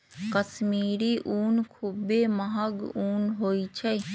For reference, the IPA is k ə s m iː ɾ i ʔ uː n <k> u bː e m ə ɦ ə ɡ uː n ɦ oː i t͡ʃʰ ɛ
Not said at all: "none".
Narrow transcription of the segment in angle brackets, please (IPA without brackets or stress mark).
kʰ